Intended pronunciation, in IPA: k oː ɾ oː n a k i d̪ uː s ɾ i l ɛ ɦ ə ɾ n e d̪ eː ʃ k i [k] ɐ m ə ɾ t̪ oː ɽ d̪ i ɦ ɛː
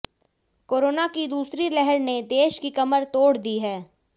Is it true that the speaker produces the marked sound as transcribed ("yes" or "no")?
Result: yes